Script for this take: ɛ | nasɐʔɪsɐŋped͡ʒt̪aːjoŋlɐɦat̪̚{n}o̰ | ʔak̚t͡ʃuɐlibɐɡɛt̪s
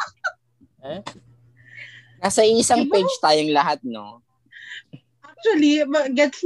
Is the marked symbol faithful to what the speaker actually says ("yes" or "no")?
yes